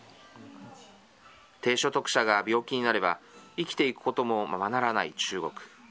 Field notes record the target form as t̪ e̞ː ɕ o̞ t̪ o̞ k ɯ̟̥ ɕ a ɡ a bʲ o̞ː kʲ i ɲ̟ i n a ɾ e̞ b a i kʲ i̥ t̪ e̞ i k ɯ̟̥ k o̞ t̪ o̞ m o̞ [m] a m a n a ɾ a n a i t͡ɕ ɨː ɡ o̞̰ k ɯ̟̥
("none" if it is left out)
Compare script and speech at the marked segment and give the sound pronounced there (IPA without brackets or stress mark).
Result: m